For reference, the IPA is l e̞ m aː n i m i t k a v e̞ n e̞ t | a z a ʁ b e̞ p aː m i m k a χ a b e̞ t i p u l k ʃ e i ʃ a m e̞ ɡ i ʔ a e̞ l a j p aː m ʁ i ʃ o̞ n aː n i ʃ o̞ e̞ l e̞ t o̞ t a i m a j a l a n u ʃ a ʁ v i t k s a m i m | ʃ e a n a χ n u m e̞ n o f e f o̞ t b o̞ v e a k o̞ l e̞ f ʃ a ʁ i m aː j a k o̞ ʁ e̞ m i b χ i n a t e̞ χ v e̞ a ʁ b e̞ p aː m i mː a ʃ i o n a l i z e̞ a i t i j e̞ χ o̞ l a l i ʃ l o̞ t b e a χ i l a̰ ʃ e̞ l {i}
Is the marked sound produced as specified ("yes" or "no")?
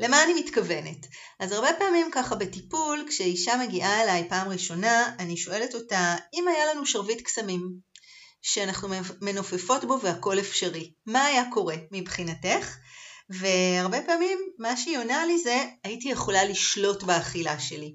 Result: yes